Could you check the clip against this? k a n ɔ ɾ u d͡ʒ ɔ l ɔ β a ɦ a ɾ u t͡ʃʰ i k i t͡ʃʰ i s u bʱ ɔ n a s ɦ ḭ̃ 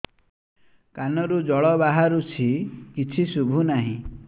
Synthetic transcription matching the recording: k a n ɔ ɾ u d͡ʒ ɔ ɭ ɔ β a ɦ a ɾ u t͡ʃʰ i k i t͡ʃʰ i s u bʱ u n a ɦ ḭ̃